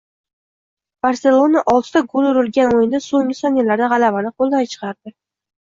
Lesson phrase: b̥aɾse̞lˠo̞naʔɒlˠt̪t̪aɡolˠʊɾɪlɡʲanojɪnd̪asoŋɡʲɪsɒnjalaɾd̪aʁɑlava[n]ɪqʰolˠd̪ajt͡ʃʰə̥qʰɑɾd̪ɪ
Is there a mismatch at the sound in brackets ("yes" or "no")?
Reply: no